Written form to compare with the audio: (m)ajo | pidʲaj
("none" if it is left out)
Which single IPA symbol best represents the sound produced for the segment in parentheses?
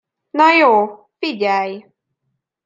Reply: n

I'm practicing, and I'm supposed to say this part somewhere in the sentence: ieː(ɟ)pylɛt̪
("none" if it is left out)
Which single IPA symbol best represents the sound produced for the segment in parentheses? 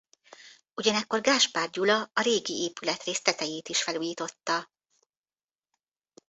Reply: none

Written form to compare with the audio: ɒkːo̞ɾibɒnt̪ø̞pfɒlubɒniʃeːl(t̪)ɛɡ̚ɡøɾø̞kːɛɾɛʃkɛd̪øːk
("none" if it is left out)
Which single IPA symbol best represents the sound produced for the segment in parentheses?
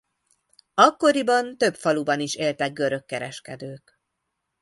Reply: t̪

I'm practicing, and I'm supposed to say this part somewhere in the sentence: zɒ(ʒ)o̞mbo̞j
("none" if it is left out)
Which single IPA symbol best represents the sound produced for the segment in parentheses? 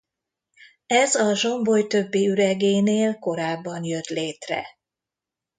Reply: ʒ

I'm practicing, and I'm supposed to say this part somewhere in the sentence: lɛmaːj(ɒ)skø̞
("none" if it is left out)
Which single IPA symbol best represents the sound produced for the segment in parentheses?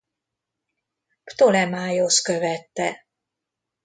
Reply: o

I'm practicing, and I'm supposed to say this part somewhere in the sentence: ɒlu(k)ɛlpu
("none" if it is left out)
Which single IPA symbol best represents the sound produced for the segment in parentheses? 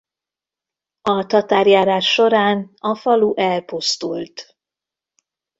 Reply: ʔ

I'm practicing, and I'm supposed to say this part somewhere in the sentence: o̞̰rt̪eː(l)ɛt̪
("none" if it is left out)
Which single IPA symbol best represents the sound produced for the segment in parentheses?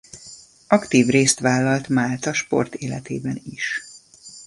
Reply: l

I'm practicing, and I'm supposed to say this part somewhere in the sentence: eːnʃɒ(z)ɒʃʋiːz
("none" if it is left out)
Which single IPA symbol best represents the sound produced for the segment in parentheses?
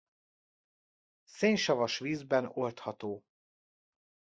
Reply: v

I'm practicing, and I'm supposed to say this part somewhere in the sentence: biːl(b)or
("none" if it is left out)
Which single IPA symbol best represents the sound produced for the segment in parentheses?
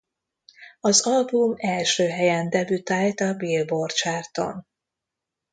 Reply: b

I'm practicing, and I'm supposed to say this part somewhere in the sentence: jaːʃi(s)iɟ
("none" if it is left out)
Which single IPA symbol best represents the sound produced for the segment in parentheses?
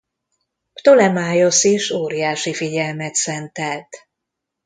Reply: f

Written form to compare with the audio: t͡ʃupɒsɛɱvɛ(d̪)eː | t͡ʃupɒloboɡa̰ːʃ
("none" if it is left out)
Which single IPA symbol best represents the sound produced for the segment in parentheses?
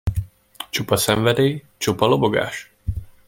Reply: d̪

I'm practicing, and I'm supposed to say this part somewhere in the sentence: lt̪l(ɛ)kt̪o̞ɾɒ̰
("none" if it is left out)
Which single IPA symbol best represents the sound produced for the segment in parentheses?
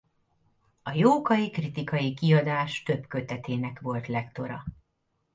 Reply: ɛ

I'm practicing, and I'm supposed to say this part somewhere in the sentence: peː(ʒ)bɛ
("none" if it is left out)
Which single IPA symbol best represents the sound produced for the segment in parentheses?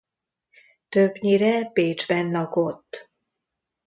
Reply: d͡ʒ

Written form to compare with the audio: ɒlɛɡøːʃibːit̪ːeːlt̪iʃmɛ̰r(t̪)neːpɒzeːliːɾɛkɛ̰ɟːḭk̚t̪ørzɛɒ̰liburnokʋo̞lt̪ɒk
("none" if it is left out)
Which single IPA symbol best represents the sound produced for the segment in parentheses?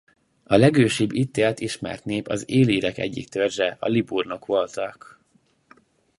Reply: t̪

